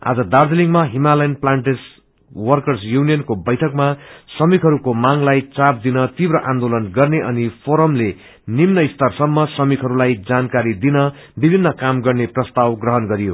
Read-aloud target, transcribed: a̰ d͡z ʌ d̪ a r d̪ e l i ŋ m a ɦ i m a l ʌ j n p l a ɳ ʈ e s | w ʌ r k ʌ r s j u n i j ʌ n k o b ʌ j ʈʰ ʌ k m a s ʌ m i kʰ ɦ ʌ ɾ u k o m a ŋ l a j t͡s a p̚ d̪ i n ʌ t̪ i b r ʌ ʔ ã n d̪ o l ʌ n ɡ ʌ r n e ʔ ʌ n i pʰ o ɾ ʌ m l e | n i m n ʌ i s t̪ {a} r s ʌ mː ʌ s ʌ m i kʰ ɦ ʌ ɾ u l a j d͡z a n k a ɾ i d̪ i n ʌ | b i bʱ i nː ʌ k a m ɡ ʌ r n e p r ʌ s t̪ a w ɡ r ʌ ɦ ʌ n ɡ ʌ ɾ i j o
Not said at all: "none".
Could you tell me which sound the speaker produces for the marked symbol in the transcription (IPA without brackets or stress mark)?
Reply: ʌ